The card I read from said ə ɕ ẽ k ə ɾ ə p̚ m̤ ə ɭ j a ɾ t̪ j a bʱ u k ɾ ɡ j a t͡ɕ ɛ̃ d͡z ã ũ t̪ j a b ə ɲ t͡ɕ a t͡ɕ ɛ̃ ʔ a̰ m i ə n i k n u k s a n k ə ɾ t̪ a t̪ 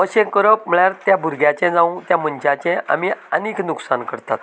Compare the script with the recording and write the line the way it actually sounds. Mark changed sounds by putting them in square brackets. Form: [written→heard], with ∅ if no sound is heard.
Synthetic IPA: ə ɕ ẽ k ə ɾ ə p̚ m̤ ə ɭ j a ɾ t̪ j a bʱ u [k→∅] ɾ ɡ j a t͡ɕ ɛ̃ d͡z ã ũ t̪ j a [b→m] ə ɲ t͡ɕ a t͡ɕ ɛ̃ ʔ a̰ m i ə n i k n u k s a n k ə ɾ t̪ a t̪